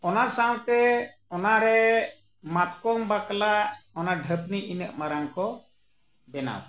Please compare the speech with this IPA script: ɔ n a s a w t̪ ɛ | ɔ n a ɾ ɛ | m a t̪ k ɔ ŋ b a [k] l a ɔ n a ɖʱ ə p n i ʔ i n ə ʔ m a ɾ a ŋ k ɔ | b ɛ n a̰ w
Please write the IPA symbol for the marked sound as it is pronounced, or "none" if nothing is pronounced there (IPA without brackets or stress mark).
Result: k